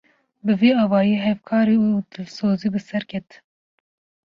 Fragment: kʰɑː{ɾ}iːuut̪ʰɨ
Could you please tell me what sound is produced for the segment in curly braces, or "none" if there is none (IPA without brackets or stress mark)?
ɾ